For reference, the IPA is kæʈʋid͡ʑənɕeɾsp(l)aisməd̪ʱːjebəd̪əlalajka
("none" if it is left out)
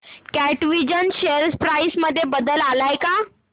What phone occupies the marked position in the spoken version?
ɾ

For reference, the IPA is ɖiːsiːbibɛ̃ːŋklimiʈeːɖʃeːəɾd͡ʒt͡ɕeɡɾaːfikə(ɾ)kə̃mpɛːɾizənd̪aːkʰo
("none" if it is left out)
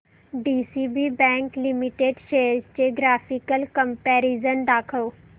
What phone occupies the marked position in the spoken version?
l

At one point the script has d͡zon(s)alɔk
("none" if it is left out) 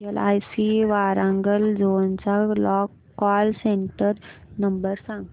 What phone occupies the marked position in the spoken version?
t͡s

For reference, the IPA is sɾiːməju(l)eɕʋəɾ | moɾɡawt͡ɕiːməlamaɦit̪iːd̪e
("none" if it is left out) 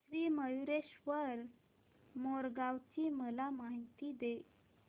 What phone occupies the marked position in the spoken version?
ɾ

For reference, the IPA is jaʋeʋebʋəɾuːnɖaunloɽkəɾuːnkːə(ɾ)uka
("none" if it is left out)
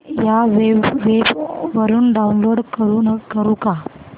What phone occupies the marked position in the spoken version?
ɾ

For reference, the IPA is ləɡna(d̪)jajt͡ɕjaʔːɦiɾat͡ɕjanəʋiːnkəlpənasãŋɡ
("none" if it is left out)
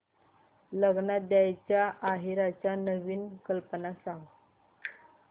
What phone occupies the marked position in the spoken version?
d̪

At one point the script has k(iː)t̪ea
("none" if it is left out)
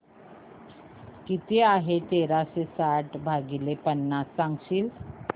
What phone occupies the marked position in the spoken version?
i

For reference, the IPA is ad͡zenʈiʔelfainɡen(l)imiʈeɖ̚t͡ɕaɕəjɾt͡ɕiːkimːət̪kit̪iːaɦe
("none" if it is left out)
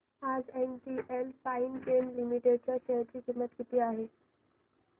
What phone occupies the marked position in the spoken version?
l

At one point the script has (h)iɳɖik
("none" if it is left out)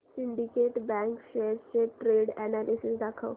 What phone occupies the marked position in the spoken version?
s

